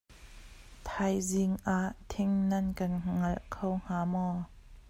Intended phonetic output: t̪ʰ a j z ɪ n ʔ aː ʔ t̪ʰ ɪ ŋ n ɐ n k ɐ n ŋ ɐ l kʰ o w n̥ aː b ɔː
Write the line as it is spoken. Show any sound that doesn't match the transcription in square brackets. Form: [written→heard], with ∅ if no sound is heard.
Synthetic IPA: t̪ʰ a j z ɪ [n→ŋ] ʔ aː ʔ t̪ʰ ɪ ŋ n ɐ n k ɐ n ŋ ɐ l kʰ o w [n̥→ŋ̥] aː [b→m] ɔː

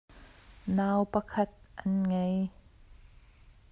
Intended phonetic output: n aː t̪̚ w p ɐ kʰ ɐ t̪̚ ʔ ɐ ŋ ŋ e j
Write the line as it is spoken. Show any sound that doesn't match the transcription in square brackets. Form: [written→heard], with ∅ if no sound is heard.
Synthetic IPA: n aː [t̪̚→∅] w p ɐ kʰ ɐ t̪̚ ʔ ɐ [ŋ→n] ŋ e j

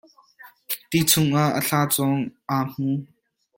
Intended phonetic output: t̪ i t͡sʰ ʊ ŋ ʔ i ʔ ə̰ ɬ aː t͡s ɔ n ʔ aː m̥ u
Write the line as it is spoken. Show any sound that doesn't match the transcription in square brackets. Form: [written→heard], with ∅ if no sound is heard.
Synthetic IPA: t̪ i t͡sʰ ʊ ŋ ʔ [i→a] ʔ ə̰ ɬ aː t͡s ɔ [n→ŋ] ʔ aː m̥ u

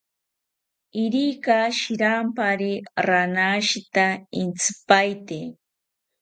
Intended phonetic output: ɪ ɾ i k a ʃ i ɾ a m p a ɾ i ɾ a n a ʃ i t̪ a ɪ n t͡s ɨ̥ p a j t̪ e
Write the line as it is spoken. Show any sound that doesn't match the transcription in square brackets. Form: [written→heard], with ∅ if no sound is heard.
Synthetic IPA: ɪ ɾ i k a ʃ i ɾ a m p a ɾ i ɾ a n a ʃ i t̪ a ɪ n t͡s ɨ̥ p a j t̪ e

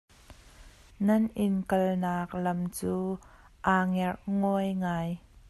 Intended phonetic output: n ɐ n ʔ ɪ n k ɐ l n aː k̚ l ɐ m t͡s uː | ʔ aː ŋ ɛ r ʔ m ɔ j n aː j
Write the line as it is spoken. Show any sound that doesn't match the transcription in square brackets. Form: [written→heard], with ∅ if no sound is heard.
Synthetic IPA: n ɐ n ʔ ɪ n k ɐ l n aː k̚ l ɐ m t͡s uː | ʔ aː ŋ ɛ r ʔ [m→ŋ] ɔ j [n→ŋ] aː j

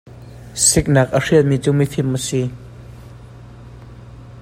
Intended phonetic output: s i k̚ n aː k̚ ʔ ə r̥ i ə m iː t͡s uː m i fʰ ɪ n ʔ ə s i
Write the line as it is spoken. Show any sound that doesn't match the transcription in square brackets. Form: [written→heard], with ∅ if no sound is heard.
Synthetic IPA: s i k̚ n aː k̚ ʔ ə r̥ i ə m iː t͡s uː m i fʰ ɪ [n→m] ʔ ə s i

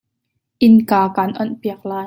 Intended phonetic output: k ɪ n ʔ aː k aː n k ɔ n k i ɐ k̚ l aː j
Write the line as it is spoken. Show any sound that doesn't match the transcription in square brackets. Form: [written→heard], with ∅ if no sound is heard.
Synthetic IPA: [k→ʔ] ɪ n [ʔ→k] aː k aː n [k→ʔ] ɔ n [k→p] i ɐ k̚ l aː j

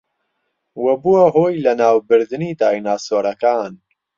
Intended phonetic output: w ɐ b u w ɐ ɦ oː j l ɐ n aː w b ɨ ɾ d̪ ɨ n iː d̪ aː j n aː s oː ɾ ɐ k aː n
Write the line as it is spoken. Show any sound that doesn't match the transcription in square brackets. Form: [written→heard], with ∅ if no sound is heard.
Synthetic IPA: w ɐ b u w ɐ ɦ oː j l ɐ n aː w b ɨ ɾ d̪ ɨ n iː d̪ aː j n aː s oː ɾ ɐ k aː n

